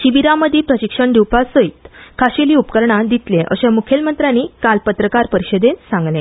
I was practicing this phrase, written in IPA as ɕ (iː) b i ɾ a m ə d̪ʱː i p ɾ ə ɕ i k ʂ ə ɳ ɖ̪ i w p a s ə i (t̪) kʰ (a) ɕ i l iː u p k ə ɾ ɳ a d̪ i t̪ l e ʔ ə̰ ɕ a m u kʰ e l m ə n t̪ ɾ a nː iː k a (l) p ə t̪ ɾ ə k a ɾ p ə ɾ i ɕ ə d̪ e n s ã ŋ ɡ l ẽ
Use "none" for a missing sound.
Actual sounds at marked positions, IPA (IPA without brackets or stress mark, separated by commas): i, t̪, a, l